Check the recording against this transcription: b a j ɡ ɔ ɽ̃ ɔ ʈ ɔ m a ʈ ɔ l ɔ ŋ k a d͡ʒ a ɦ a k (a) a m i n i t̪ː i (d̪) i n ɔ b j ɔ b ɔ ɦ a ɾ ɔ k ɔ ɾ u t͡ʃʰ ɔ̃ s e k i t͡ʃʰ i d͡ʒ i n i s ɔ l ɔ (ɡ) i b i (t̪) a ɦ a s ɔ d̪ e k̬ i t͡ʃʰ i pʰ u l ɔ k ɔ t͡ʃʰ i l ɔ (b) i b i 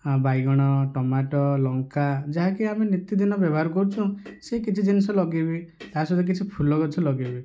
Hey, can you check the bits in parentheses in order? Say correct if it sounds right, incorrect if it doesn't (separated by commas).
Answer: incorrect, correct, correct, correct, incorrect